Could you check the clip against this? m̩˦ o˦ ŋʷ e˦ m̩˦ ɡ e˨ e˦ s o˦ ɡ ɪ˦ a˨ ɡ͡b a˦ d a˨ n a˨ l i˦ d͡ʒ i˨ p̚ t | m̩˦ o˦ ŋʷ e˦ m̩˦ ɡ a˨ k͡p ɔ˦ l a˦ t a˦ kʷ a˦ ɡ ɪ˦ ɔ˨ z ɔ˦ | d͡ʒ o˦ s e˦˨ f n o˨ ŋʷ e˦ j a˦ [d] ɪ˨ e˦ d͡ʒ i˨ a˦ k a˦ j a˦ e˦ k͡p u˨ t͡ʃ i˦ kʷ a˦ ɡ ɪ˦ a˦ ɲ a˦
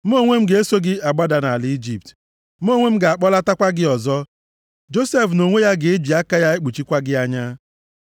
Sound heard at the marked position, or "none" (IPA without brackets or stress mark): ɡ